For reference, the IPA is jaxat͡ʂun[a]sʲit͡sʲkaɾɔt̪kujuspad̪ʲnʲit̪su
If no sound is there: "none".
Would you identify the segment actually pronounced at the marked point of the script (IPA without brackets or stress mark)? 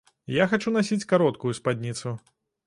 a